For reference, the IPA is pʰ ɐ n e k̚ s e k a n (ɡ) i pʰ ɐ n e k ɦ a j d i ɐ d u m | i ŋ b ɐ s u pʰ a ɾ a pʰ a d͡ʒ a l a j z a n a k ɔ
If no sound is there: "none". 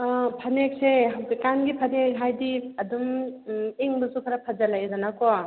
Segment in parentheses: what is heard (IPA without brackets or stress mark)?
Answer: ɡ